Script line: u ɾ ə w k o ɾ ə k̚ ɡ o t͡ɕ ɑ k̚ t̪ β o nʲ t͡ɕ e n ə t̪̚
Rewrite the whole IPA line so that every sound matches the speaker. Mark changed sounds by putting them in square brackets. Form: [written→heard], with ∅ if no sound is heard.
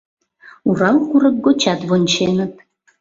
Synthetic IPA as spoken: u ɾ [ə→ɑ] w k [o→u] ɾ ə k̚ ɡ o t͡ɕ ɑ [k̚→∅] t̪ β o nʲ t͡ɕ e n ə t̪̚